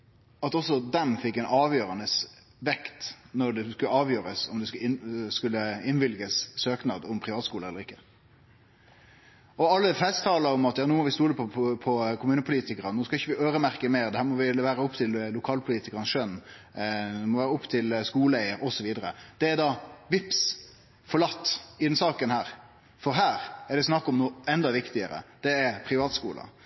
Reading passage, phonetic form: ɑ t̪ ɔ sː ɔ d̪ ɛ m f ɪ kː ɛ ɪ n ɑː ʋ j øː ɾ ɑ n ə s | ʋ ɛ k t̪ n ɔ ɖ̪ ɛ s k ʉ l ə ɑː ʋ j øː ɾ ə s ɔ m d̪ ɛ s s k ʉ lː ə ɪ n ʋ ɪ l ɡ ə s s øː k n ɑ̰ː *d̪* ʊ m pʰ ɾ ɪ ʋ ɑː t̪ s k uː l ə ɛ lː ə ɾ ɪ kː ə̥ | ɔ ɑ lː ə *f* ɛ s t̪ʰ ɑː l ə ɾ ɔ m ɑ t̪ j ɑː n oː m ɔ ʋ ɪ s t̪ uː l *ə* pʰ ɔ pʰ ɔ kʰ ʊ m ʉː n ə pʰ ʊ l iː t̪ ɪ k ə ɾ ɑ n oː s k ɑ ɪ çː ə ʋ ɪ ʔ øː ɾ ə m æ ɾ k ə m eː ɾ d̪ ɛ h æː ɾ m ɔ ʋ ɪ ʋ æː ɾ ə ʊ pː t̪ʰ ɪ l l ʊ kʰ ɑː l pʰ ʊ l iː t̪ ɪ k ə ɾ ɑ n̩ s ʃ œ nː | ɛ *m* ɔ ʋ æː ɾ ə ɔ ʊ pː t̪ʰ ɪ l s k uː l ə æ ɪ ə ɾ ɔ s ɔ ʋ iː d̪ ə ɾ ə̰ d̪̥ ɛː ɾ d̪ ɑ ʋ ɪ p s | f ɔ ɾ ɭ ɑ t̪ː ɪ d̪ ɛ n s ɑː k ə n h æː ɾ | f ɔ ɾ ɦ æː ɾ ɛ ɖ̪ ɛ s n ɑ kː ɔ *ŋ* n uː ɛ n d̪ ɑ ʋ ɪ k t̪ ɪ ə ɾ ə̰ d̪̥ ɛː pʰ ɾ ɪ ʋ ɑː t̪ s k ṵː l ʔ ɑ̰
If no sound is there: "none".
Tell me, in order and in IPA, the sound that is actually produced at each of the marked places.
d̪, f, ə, m, m

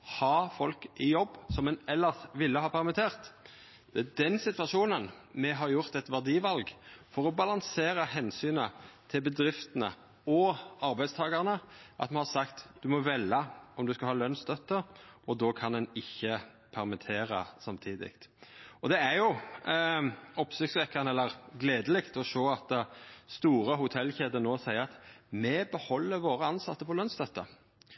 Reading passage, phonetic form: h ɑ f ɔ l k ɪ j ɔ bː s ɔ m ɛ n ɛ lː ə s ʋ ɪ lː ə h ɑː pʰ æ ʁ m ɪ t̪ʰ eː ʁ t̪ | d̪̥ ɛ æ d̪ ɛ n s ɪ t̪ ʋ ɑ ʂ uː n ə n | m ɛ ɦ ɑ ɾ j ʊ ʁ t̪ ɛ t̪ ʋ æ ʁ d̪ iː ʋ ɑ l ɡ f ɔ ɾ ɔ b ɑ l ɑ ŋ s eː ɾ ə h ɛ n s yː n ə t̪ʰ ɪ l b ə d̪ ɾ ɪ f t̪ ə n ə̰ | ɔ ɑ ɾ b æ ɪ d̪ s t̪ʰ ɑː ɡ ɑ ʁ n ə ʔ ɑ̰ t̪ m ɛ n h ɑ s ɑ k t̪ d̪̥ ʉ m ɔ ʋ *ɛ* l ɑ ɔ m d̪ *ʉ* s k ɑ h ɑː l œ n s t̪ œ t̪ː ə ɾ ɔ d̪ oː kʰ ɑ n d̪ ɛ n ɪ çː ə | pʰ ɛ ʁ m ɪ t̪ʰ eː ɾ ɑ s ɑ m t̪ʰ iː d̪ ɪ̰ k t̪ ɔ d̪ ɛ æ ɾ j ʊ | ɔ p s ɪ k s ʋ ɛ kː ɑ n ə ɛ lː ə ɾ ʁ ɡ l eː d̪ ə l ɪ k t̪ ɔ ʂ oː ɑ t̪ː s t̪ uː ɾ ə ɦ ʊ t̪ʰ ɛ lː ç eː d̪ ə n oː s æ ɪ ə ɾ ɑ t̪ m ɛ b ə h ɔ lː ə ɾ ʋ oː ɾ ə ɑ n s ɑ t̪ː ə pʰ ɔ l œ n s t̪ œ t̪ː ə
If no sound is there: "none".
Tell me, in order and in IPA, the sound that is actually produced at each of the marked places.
ɛ, ʉ

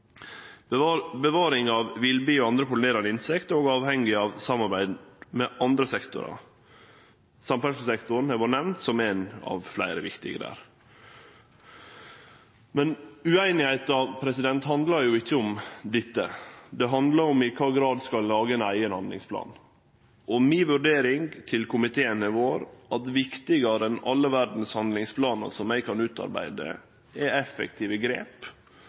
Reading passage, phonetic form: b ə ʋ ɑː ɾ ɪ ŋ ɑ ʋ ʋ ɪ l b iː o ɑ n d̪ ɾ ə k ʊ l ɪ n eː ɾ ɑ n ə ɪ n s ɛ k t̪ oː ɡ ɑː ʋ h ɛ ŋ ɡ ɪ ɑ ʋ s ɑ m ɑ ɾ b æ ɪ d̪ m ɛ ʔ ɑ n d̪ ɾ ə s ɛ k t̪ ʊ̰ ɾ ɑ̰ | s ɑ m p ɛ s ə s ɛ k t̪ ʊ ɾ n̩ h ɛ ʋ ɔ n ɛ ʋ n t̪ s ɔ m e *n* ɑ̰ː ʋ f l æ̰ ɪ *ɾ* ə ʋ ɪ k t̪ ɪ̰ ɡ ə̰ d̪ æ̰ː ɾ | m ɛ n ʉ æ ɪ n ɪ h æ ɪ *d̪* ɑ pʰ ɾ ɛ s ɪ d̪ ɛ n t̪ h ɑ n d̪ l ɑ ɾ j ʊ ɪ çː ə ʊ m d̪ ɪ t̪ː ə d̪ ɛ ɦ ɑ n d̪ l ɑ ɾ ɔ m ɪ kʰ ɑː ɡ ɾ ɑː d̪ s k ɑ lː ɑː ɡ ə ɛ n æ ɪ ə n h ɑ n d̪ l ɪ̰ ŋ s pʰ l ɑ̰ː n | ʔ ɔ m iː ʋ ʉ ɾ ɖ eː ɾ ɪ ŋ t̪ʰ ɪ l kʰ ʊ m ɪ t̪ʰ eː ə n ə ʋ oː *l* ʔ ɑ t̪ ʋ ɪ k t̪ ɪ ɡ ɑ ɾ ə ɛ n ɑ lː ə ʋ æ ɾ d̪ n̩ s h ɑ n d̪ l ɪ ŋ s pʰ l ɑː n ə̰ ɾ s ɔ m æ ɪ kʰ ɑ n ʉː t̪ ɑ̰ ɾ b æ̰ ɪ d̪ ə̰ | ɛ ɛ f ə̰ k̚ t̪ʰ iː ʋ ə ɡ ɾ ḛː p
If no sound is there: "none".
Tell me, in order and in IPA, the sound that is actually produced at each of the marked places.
n, ɾ, t̪, ɾ

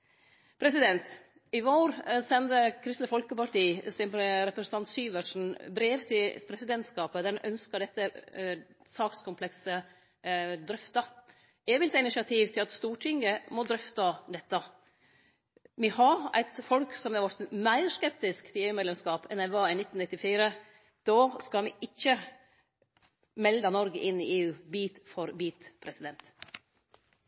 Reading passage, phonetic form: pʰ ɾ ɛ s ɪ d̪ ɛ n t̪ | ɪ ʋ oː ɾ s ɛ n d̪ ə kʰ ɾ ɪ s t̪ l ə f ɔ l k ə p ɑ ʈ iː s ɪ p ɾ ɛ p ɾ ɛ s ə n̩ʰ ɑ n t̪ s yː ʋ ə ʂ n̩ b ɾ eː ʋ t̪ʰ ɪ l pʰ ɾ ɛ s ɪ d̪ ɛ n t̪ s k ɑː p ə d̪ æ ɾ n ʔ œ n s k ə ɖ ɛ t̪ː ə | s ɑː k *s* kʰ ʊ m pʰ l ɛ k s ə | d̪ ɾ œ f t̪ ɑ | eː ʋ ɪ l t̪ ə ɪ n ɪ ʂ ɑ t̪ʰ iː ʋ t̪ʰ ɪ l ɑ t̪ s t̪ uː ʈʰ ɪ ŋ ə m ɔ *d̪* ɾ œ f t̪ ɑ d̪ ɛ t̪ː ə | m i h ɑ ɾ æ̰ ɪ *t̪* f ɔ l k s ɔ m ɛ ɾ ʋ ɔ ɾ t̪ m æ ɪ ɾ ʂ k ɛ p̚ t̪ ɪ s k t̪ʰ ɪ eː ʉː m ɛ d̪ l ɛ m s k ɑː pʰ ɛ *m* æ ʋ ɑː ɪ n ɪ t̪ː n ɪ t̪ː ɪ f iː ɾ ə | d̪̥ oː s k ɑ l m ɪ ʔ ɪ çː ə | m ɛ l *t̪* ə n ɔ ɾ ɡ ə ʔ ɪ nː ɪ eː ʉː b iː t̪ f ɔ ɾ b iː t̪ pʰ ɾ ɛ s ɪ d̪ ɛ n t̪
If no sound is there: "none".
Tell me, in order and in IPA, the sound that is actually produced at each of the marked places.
s, d̪, t̪, n, d̪

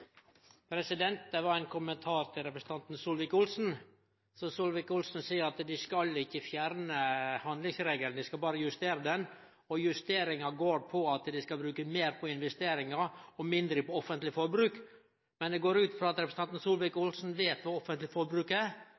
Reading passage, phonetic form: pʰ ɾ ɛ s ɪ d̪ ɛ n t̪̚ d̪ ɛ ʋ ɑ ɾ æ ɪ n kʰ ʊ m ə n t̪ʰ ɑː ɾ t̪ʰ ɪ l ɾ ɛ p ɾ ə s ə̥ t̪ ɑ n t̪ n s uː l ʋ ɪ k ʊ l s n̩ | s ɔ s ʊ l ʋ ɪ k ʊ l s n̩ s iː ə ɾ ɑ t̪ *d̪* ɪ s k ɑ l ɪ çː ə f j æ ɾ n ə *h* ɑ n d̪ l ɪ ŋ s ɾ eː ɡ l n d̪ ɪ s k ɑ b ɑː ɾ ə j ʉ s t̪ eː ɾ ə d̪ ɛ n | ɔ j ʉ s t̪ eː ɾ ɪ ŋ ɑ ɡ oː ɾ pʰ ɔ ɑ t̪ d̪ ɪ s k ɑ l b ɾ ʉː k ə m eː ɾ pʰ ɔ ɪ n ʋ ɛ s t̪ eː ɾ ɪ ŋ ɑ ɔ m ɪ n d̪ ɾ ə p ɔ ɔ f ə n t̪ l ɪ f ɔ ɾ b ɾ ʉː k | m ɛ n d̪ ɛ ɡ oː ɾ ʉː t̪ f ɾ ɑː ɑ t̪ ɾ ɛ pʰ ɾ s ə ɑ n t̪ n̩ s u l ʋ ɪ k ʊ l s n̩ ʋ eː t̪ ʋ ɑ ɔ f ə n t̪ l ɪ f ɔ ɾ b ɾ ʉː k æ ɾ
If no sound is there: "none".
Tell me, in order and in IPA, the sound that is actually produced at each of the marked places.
d̪, h

